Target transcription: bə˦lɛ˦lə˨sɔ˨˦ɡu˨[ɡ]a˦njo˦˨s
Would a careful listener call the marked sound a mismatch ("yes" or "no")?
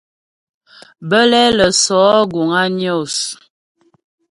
yes